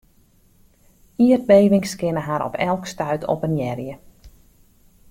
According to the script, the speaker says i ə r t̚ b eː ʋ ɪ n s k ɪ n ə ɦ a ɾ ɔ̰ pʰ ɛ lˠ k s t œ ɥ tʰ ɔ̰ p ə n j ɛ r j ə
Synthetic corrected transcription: i ə r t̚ b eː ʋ ɪ ŋ s k ɪ n ə ɦ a ɾ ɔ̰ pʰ ɛ lˠ k s t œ ɥ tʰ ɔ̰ p ə n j ɛ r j ə